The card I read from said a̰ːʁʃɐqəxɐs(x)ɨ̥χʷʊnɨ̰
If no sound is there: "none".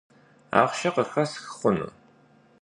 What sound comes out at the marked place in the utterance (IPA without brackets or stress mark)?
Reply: x